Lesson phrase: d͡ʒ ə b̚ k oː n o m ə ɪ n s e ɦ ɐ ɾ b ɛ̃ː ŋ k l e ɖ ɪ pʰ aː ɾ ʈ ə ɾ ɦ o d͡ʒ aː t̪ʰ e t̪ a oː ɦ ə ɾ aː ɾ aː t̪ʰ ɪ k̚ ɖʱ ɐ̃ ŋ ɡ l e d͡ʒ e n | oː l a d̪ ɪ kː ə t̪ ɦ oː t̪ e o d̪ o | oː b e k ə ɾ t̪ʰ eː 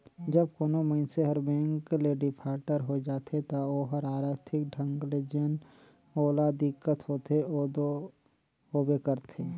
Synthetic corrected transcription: d͡ʒ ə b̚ k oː n o m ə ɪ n s e ɦ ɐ ɾ b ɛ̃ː ŋ k l e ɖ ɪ pʰ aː ɾ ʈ ə ɾ ɦ o d͡ʒ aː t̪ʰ e t̪ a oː ɦ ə ɾ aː ɾ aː t̪ʰ ɪ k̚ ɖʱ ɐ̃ ŋ ɡ l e d͡ʒ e n | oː l a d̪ ɪ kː ə t̪ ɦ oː t̪ e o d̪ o | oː b e k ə ɾ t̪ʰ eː